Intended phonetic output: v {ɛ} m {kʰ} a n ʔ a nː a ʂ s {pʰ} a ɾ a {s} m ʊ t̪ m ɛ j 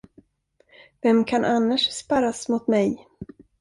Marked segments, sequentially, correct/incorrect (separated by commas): correct, correct, incorrect, correct